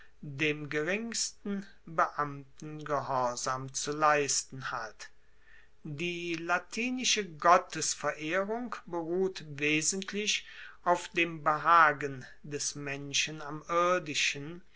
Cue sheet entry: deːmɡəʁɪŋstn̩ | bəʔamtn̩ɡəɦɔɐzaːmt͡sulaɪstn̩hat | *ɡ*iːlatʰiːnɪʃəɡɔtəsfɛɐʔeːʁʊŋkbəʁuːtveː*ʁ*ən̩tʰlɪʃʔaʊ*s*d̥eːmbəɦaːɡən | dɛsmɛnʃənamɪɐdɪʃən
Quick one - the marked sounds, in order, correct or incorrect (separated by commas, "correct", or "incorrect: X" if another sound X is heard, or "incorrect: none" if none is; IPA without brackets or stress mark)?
incorrect: d, incorrect: z, incorrect: f